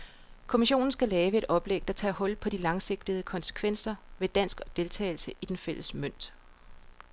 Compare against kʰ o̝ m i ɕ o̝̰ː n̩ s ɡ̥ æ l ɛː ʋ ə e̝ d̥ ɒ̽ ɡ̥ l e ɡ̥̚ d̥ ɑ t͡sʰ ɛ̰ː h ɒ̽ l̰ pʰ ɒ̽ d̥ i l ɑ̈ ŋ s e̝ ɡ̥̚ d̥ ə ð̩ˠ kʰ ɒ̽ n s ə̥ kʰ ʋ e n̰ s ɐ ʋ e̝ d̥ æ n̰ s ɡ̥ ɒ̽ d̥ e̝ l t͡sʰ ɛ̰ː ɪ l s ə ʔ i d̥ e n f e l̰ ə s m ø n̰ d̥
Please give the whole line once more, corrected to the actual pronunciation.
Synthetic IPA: kʰ o̝ m i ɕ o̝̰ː n̩ s ɡ̥ æ l ɛː ʋ ə e̝ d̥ ɒ̽ b̥ l e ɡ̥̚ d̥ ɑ t͡sʰ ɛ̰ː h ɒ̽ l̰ pʰ ɒ̽ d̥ i l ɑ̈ ŋ s e̝ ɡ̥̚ d̥ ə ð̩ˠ kʰ ɒ̽ n s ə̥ kʰ ʋ e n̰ s ɐ ʋ e̝ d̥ æ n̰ s ɡ̥ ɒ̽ d̥ e̝ l t͡sʰ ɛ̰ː ɪ l s ə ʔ i d̥ e n f e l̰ ə s m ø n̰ d̥

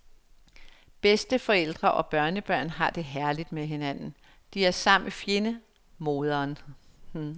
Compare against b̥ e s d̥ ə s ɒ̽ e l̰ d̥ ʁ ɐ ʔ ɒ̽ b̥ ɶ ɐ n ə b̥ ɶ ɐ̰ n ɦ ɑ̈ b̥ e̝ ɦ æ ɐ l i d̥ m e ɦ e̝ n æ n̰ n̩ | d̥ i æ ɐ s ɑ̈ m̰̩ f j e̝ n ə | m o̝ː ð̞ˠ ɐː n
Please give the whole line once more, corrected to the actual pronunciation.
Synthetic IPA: b̥ e s d̥ ə f ɒ̽ e l̰ d̥ ʁ ɐ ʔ ɒ̽ b̥ ɶ ɐ n ə b̥ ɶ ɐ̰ n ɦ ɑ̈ d̥ e̝ ɦ æ ɐ l i d̥ m e ɦ e̝ n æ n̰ n̩ | d̥ i æ ɐ s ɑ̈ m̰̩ f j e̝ n ə | m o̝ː ð̞ˠ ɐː n

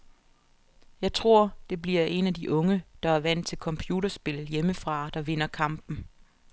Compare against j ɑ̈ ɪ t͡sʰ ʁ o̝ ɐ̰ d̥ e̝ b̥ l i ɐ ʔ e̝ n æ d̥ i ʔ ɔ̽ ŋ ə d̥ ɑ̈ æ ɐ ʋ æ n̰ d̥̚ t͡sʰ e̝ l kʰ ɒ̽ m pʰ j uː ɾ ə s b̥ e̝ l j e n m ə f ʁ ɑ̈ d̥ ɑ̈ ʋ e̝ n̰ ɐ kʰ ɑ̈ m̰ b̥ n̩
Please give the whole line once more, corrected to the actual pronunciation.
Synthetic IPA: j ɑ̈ ɪ t͡sʰ ʁ o̝ ɐ̰ d̥ e̝ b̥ l i ɐ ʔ e̝ n æ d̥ i ʔ ɔ̽ ŋ ə d̥ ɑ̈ æ ɐ ʋ æ n̰ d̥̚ t͡sʰ e̝ l kʰ ɒ̽ m pʰ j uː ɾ ɐ s b̥ e̝ l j e m ə f ʁ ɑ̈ d̥ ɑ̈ ʋ e̝ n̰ ɐ kʰ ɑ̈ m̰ b̥ n̩

